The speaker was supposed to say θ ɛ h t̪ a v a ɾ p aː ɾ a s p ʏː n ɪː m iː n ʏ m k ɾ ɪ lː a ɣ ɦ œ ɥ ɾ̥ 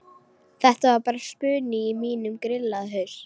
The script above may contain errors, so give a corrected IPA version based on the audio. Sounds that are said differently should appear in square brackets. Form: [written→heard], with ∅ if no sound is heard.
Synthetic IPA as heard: θ ɛ h t̪ a v a ɾ p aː ɾ a s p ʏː n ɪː m iː n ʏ m k ɾ ɪ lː a [ɣ→ð] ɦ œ ɥ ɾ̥